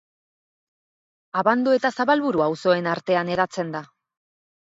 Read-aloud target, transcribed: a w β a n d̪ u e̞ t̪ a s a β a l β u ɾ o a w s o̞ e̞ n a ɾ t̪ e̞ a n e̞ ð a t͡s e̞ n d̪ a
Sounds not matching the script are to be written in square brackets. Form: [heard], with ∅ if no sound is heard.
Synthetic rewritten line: a [∅] β a n d̪ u e̞ t̪ a s a β a l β u ɾ [u] a w s o̞ e̞ n a ɾ t̪ e̞ a n e̞ ð a t͡s e̞ n d̪ a